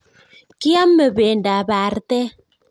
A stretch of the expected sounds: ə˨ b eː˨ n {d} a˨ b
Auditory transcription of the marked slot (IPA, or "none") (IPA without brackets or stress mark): d